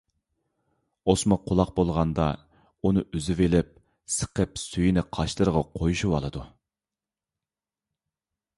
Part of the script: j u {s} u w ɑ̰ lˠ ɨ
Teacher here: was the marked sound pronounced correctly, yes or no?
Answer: no